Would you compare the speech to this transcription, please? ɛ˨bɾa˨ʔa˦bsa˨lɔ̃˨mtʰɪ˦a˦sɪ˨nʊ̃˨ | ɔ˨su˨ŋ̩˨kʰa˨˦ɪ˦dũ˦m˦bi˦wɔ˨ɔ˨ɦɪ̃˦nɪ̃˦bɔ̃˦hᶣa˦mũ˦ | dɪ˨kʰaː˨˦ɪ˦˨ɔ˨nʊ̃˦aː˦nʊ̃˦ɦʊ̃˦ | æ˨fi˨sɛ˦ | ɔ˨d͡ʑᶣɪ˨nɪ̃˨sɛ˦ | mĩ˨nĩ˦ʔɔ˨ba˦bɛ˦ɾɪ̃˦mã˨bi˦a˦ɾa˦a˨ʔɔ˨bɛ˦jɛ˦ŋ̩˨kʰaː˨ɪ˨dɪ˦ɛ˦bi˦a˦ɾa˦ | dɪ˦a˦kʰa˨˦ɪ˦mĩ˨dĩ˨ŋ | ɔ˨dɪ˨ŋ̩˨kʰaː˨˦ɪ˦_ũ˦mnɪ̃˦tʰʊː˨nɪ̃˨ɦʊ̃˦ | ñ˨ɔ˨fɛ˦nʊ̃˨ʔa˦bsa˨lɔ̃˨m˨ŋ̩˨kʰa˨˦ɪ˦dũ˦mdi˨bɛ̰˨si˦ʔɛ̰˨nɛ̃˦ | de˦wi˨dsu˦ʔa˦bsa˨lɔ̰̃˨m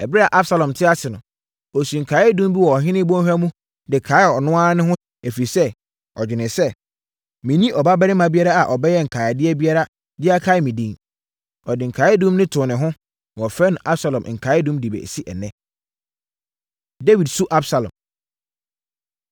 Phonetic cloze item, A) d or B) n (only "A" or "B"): A